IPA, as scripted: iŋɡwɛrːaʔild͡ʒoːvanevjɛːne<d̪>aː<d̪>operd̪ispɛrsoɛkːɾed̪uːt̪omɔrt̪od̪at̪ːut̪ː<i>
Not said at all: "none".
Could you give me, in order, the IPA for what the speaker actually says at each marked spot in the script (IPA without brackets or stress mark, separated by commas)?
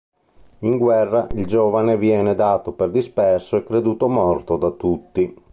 d̪, t̪, i